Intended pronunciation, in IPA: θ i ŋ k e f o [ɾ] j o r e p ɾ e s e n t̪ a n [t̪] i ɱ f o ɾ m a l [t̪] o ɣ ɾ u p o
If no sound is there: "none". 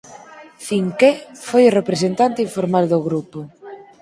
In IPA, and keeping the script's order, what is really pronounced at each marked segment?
none, t̪, d̪

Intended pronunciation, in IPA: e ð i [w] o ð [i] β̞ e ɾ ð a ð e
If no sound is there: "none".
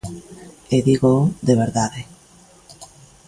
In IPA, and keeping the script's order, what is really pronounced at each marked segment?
ɣ, e

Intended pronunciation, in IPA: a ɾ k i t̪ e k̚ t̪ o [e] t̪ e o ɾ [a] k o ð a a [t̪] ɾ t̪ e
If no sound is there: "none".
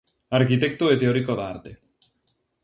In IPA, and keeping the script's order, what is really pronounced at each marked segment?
e, i, none

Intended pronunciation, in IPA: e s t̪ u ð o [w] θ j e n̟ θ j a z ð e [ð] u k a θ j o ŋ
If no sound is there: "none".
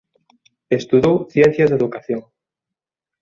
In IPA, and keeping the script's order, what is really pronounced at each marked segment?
w, ð

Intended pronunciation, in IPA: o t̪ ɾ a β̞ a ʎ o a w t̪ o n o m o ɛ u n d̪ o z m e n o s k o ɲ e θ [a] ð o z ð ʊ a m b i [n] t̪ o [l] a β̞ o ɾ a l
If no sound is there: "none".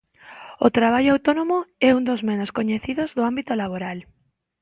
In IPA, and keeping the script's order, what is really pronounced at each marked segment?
i, none, l

